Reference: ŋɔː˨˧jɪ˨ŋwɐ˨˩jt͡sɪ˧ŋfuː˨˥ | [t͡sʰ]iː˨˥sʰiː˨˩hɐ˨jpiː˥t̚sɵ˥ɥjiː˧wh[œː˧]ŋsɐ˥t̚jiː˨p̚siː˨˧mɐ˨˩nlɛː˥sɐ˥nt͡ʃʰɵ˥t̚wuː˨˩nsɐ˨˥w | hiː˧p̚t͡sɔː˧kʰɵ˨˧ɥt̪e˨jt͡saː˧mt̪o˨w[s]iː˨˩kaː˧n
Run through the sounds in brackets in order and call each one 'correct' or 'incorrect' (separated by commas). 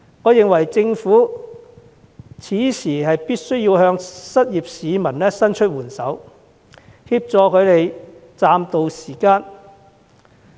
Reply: correct, correct, correct